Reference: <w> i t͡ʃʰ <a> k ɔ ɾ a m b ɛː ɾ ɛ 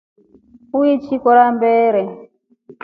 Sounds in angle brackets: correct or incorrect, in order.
incorrect, incorrect

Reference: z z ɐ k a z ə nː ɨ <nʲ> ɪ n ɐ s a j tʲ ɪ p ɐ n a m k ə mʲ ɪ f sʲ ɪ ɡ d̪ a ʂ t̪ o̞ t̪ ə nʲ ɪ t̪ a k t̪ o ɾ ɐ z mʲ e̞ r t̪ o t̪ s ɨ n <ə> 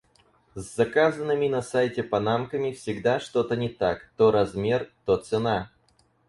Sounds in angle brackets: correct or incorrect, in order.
incorrect, incorrect

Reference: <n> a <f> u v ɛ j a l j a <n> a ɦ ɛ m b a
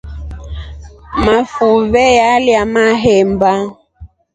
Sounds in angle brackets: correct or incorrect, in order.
incorrect, correct, incorrect

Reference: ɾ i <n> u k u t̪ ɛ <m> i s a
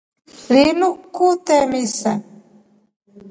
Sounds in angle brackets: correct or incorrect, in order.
correct, correct

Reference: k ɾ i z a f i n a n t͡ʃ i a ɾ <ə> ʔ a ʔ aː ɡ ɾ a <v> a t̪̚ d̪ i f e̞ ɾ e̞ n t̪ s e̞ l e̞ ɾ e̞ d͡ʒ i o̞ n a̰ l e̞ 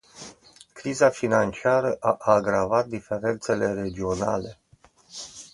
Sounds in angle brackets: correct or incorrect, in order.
correct, correct

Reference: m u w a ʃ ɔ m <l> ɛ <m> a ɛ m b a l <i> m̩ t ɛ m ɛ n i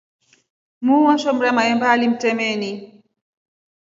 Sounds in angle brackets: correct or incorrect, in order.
incorrect, correct, correct

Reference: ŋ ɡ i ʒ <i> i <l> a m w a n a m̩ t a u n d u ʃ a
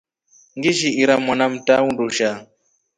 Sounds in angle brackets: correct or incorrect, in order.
correct, incorrect

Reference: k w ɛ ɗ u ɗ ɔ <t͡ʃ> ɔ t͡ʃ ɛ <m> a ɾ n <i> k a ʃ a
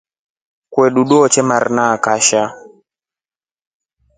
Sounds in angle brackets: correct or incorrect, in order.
incorrect, correct, incorrect

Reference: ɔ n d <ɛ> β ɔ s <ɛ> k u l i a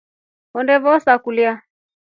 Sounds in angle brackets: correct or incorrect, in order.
correct, incorrect

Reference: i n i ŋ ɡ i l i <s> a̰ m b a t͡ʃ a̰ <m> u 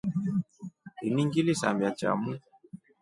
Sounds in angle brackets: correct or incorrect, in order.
correct, correct

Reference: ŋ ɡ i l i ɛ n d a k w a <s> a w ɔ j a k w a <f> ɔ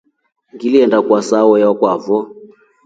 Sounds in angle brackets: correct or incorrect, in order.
correct, incorrect

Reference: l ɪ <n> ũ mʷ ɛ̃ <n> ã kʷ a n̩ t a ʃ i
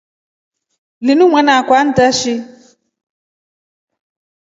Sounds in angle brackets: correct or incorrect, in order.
correct, correct

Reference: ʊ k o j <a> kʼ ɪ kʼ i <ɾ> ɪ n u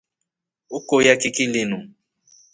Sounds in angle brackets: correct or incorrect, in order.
correct, incorrect

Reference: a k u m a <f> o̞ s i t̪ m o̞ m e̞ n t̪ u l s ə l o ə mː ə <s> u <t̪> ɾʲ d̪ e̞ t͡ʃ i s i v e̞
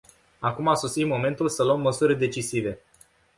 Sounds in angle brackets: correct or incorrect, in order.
incorrect, correct, incorrect

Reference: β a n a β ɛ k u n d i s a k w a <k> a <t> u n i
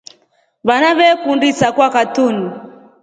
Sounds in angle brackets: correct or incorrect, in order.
correct, correct

